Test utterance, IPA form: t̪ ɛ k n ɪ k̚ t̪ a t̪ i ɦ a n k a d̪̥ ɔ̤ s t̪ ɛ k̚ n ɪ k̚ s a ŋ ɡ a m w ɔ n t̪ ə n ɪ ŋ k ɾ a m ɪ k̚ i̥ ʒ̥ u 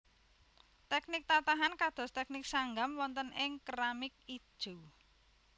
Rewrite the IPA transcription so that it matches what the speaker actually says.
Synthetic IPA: t̪ ɛ k n ɪ k̚ t̪ a t̪ a ɦ a n k a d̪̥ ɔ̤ s t̪ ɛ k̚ n ɪ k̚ s a ŋ ɡ a m w ɔ n t̪ ə n ɪ ŋ k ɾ a m ɪ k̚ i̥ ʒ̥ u

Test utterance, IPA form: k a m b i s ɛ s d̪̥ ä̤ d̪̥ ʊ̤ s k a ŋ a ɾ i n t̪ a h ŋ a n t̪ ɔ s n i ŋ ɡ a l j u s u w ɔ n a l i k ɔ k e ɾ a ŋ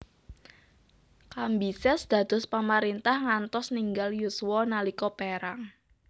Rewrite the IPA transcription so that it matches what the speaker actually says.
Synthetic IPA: k a m b i s ɛ s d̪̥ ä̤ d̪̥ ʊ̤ s p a m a ɾ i n t̪ a h ŋ a n t̪ ɔ s n i ŋ ɡ a l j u s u w ɔ n a l i k ɔ p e ɾ a ŋ

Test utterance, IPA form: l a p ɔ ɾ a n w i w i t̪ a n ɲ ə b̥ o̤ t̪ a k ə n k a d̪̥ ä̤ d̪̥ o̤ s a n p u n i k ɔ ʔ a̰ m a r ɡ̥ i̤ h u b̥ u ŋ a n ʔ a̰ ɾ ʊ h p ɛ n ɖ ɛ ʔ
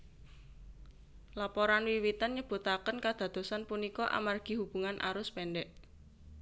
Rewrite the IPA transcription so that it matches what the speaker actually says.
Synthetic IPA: l a p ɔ ɾ a n w i w i t̪ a n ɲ ə b̥ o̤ t̪ a k ə n k a d̪̥ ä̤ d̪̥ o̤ s a n p u n i k ɔ ʔ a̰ m a r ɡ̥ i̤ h u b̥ u ŋ a n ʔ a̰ ɾ ʊ s p ɛ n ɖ ɛ ʔ

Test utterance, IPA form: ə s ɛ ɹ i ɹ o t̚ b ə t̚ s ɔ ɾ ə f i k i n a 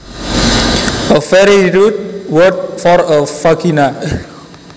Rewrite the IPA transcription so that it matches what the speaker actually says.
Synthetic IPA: ə f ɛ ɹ i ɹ u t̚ w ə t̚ f ɔ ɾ ə f a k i n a

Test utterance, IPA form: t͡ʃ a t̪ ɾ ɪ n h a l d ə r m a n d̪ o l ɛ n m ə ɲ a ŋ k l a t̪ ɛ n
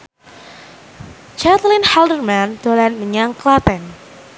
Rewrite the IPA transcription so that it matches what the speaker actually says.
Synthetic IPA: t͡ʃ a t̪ l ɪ n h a l d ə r m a n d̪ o l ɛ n m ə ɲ a ŋ k l a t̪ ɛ n

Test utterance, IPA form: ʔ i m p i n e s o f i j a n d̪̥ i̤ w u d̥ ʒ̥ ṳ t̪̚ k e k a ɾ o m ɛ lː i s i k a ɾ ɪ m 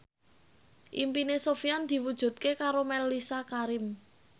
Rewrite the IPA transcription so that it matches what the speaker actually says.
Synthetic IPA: ʔ i m p i n e s o f i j a n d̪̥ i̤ w u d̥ ʒ̥ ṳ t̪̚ k e k a ɾ o m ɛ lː i s a k a ɾ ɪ m

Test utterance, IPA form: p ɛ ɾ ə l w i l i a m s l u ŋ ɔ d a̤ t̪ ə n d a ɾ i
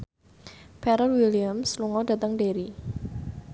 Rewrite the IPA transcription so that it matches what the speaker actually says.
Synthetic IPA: p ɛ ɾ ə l w i l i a m s l u ŋ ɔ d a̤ t̪ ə ŋ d e ɾ i

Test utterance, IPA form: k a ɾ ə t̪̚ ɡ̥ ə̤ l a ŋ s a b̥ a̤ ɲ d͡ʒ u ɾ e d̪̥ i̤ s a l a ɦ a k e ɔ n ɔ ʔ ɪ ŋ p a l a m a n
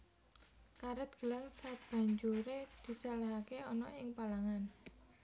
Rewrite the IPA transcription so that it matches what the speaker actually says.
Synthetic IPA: k a ɾ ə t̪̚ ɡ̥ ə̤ l a ŋ s a b̥ a̤ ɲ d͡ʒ u ɾ e d̪̥ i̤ s a l a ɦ a k e ɔ n ɔ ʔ ɪ ŋ p a l a ŋ a n

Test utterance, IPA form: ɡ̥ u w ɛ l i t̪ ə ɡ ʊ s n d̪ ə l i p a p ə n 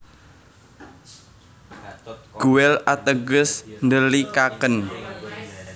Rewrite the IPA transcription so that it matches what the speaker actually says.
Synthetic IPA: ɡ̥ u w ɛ l a t̪ ə ɡ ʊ s n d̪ ə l i k a k ə n

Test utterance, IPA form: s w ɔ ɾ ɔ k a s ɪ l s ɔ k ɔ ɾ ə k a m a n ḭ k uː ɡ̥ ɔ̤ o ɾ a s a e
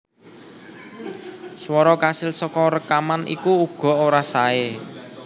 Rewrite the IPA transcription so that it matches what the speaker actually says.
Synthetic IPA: s w ɔ ɾ ɔ k a s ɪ l s ɔ k ɔ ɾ ə k a m a n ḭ k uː ɡ̥ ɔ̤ o ɾ a s a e

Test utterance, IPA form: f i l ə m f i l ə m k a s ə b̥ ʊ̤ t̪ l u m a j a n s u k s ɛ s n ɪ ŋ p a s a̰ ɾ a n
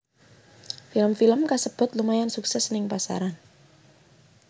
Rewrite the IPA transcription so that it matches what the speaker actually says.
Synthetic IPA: f i l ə m f i l ə m k a s ə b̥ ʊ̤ t̪ l u m a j a n s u k s ɛ s n ɪ ŋ p a s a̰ ɾ a n

